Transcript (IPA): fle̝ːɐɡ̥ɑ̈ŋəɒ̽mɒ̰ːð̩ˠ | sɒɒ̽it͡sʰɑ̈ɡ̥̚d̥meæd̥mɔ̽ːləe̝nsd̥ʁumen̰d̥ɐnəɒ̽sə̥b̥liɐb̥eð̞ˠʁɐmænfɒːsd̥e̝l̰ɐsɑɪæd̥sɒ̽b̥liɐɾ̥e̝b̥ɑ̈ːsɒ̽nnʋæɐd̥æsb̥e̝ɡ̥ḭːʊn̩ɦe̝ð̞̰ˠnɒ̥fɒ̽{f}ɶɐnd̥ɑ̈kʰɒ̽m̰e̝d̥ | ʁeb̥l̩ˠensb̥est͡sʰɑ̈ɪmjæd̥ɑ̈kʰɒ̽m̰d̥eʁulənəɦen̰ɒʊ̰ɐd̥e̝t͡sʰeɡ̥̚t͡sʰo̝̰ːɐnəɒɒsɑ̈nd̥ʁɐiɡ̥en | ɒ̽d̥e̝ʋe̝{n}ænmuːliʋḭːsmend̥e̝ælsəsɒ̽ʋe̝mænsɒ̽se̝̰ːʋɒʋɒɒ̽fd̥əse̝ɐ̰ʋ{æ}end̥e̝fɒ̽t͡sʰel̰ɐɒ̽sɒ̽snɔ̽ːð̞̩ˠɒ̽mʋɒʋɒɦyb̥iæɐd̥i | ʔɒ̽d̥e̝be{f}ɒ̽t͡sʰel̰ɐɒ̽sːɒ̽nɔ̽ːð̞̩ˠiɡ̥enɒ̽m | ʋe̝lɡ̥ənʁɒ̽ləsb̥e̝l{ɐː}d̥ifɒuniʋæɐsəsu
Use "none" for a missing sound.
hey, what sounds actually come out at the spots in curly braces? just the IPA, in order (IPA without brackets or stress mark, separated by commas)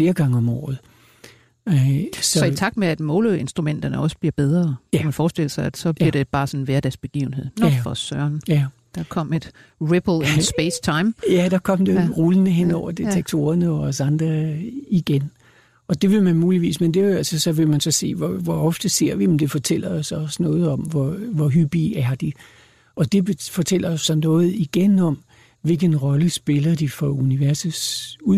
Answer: s, m, i, f, ɐ